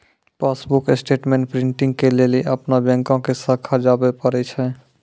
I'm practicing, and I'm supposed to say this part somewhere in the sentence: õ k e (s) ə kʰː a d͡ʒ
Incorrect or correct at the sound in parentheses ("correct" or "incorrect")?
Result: correct